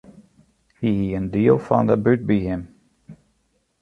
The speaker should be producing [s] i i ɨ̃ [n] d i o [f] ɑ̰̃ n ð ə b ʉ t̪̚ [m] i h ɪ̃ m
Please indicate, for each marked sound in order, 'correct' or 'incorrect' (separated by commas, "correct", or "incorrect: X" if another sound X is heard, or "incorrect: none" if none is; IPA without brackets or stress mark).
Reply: incorrect: h, correct, correct, incorrect: b